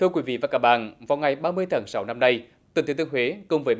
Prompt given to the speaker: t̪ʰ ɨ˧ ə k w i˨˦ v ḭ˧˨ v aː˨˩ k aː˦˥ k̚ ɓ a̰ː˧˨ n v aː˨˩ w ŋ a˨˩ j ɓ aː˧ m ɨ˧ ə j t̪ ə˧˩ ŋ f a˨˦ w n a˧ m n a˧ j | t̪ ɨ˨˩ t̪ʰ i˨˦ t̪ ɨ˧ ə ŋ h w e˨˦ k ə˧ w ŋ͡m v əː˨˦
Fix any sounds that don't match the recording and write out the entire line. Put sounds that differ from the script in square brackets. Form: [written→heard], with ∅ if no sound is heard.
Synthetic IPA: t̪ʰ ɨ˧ ə k w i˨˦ v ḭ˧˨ v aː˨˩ k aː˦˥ k̚ ɓ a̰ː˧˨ n v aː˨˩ w ŋ a˨˩ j ɓ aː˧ m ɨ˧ ə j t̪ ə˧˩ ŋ [f→s] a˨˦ w n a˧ m n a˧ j | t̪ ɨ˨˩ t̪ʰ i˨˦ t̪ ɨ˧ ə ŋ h w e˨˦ k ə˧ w ŋ͡m v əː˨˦